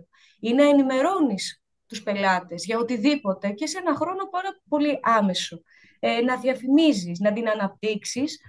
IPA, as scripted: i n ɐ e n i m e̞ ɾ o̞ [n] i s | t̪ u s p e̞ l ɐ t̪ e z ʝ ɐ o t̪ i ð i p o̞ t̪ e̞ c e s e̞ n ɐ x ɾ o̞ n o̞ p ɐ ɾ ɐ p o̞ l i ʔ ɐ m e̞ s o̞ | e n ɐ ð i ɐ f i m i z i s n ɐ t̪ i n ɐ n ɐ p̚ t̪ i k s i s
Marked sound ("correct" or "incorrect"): correct